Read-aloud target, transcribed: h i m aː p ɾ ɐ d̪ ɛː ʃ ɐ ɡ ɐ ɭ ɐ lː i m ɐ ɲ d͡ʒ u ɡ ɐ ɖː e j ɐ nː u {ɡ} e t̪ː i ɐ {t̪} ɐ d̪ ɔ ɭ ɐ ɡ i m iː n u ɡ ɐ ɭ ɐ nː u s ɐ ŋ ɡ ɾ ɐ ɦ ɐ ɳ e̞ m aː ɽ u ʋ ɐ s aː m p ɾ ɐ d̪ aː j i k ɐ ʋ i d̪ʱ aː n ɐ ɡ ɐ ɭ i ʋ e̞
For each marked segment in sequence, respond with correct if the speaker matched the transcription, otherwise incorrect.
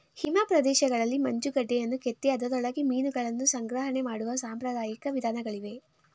incorrect, incorrect

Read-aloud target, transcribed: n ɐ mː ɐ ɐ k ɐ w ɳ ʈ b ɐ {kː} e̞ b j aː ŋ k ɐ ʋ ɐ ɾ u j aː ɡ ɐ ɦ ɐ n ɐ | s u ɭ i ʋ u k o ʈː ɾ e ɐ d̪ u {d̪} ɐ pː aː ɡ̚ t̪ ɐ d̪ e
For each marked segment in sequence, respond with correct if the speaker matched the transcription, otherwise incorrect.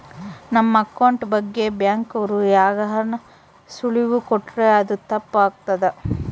incorrect, incorrect

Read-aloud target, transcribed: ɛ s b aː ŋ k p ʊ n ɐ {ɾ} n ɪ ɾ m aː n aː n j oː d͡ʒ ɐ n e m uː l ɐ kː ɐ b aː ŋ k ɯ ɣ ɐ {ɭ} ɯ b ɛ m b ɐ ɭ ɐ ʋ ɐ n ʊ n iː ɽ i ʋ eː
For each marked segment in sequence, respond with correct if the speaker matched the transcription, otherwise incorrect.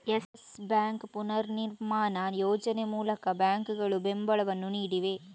correct, correct

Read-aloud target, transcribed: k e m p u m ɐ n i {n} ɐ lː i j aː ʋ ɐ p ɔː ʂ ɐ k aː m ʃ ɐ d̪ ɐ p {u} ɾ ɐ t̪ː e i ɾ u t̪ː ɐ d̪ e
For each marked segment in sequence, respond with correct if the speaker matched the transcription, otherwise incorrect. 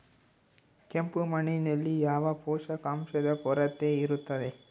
correct, incorrect

